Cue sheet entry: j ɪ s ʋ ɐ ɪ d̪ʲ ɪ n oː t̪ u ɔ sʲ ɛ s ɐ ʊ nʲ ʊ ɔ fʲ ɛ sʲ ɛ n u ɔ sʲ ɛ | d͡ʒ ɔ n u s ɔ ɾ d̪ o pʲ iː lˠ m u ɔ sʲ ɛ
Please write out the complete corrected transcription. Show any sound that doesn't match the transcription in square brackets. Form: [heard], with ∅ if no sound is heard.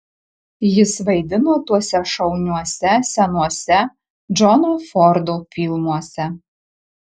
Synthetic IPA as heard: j ɪ s ʋ ɐ ɪ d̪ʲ ɪ n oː t̪ u ɔ sʲ ɛ [ʃ] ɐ ʊ nʲ [u] ɔ [sʲ] ɛ sʲ ɛ n u ɔ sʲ ɛ | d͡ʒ ɔ n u [f] ɔ ɾ d̪ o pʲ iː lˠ m u ɔ sʲ ɛ